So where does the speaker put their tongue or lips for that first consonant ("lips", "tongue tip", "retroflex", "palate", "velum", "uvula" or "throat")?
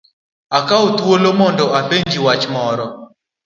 velum